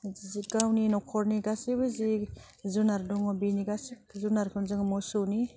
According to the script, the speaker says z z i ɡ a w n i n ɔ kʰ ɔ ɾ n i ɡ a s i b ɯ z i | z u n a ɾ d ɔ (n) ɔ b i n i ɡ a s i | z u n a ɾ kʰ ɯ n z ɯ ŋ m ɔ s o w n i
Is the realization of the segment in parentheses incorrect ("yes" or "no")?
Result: yes